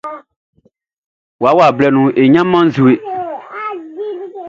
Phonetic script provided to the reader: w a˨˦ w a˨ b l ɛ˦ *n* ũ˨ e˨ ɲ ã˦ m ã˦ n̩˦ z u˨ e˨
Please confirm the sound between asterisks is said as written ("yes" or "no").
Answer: yes